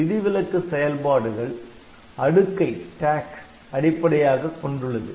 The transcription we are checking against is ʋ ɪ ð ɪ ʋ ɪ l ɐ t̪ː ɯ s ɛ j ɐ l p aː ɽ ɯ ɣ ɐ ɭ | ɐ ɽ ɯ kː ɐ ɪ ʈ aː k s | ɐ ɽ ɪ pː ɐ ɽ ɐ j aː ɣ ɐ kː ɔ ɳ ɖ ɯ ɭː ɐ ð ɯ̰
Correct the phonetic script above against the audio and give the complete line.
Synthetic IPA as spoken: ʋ ɪ ð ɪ ʋ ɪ l ɐ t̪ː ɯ s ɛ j ɐ l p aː ɽ ɯ ɣ ɐ ɭ | ɐ ɽ ɯ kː ɐ ɪ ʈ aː k s | ɐ ɽ ɪ pː ɐ ɽ ɐ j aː ɣ ɐ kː ɔ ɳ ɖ ɯ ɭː ɐ ð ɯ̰